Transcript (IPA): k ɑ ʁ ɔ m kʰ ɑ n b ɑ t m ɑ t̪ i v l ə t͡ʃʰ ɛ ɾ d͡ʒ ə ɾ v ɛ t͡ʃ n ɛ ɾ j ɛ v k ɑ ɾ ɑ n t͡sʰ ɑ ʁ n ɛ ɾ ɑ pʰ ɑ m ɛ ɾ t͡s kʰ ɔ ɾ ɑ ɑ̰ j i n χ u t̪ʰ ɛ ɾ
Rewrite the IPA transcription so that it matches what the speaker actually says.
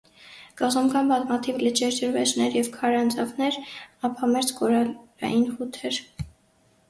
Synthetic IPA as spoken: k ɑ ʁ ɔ m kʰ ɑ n b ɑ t m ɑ t̪ʰ i v l ə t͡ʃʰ ɛ ɾ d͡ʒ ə ɾ v ɛ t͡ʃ n ɛ ɾ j ɛ v kʰ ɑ ɾ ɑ n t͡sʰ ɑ v n ɛ ɾ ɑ pʰ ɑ m ɛ ɾ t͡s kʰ ɔ ɾ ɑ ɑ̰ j i n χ u t̪ʰ ɛ ɾ